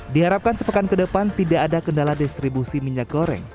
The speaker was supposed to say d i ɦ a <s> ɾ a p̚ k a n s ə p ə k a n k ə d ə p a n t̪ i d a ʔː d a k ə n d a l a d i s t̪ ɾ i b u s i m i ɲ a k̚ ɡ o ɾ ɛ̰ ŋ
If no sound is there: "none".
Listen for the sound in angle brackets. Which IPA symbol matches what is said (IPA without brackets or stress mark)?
none